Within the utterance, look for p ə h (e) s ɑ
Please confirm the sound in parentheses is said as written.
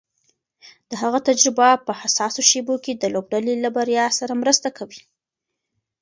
no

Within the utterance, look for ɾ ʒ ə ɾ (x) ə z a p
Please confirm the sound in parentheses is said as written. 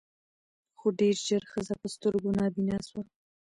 yes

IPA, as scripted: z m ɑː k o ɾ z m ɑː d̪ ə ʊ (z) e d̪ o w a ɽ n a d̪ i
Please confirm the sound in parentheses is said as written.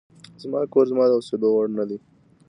no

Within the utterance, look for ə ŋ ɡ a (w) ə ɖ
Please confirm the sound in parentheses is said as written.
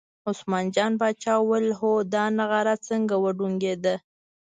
yes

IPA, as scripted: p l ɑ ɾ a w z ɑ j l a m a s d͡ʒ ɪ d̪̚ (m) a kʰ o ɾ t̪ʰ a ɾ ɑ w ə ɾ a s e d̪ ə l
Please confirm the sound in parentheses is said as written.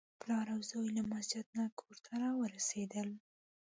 no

